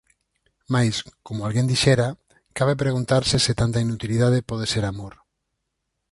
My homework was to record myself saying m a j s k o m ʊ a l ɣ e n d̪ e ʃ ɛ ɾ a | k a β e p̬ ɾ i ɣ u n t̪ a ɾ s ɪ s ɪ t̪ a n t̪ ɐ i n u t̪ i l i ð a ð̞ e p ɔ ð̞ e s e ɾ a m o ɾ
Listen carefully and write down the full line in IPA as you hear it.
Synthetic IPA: m a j s k o m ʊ a l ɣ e n d̪ i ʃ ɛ ɾ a | k a β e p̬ ɾ e ɣ u n t̪ a ɾ s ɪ s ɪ t̪ a n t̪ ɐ i n u t̪ i l i ð a ð̞ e p ɔ ð̞ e s e ɾ a m o ɾ